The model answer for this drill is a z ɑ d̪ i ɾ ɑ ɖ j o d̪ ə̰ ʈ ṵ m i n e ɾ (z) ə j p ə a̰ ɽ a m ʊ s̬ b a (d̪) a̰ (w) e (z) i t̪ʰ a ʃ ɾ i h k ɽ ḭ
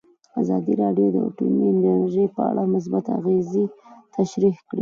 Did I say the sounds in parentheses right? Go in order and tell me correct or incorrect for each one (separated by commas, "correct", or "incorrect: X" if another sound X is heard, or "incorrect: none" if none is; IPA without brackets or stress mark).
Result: incorrect: ʒ, incorrect: t̪, incorrect: ɣ, correct